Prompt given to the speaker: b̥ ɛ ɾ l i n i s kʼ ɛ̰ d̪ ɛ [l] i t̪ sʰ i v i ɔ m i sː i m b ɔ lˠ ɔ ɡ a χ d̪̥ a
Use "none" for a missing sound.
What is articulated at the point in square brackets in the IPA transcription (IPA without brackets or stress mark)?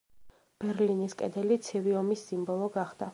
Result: l